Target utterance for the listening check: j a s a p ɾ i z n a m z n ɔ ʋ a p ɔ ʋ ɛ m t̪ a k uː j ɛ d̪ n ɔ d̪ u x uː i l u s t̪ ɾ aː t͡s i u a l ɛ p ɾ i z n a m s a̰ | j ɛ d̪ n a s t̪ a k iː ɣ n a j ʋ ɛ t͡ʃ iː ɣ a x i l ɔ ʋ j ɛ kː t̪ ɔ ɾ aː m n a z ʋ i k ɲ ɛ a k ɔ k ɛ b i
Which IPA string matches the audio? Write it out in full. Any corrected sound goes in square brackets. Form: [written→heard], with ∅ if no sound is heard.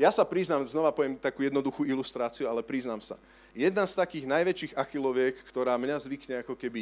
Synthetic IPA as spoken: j a s a p ɾ i z n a m z n ɔ ʋ a p ɔ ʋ ɛ m t̪ a k uː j ɛ d̪ n ɔ d̪ u x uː i l u s t̪ ɾ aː t͡s i u a l ɛ p ɾ i z n a m s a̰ | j ɛ d̪ n a s t̪ a k iː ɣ n a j ʋ ɛ t͡ʃ iː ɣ a x i l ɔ ʋ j ɛ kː t̪ ɔ ɾ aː m [n→ɲ] a z ʋ i k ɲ ɛ a k ɔ k ɛ b i